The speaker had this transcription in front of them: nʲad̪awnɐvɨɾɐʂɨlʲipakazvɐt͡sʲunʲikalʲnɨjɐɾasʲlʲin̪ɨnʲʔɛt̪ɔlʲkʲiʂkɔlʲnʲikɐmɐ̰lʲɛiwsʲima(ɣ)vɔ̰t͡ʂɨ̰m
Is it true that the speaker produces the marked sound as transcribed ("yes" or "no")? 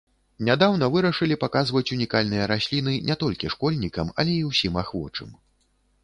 no